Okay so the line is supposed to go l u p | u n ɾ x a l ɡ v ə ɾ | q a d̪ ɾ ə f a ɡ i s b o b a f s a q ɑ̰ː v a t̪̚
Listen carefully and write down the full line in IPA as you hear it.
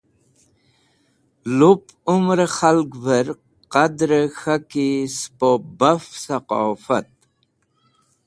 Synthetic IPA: l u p | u m ɾ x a l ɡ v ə ɾ | q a d̪ ɾ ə x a k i s p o b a f s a q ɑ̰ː f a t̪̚

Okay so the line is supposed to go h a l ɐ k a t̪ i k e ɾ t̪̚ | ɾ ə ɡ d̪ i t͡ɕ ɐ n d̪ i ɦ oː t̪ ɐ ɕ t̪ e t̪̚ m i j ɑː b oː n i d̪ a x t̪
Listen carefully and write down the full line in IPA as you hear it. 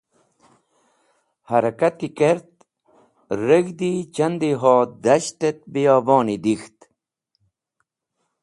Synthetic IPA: h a ɾ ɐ k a t̪ i k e ɾ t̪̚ | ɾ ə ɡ d̪ i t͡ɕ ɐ n d̪ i ɦ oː d̪ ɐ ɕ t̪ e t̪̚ b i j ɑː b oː n i d̪ i x t̪

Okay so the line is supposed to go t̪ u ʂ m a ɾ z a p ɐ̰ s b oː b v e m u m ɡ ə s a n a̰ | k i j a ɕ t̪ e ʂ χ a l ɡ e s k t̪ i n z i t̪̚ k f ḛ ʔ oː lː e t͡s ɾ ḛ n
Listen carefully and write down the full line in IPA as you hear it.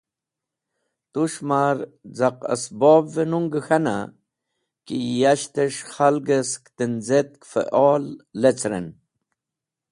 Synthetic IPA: t̪ u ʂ m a ɾ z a q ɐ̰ s b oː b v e n u ŋ ɡ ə x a n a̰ | k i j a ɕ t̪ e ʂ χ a l ɡ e s k t̪ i n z e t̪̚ k f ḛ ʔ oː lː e t͡s ɾ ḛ n

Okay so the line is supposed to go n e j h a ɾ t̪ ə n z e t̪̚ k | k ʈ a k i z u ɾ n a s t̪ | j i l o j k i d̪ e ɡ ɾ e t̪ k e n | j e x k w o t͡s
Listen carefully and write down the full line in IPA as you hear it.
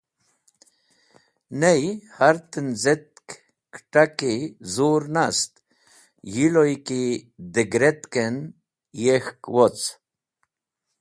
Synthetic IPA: n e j h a ɾ t̪ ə n z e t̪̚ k | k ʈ a k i z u ɾ n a s t̪ | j i l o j k i d̪ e ɡ ɾ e t̪ k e n | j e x k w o t͡s

